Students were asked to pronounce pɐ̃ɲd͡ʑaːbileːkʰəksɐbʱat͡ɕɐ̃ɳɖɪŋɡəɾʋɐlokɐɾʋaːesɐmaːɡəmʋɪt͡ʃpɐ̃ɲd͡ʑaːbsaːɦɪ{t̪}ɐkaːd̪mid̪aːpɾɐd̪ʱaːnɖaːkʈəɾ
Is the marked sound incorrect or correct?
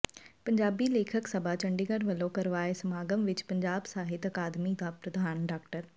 correct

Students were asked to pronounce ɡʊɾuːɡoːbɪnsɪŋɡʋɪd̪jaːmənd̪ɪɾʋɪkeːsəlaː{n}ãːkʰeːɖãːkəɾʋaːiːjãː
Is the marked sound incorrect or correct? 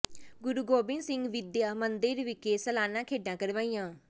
correct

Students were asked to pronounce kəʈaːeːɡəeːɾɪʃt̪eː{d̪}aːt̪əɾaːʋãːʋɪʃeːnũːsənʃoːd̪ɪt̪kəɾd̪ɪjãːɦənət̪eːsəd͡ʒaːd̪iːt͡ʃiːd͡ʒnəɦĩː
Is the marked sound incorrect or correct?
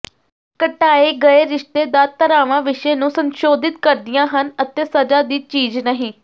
correct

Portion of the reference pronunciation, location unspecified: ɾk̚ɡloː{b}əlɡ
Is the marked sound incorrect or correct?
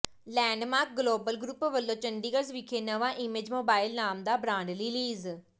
correct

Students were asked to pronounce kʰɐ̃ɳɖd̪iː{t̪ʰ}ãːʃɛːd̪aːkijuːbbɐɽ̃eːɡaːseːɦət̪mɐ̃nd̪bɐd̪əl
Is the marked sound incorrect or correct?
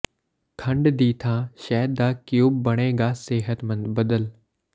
correct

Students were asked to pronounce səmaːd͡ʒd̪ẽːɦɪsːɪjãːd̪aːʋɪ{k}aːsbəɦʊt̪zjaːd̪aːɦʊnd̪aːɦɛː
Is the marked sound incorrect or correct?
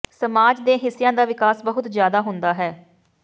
correct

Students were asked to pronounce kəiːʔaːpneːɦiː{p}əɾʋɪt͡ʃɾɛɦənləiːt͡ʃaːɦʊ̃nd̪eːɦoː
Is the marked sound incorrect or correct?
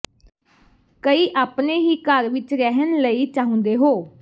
incorrect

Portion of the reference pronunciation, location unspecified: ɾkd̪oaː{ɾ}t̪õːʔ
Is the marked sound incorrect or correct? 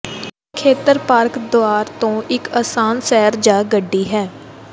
correct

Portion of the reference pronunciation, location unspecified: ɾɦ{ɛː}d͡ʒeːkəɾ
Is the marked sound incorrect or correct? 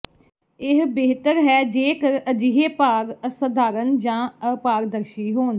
correct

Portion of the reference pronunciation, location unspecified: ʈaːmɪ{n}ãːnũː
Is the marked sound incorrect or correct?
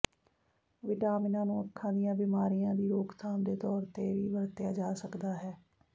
correct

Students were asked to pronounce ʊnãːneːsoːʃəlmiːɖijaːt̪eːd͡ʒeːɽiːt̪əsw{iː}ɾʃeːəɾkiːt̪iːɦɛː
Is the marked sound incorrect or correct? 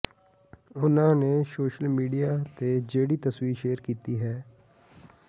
correct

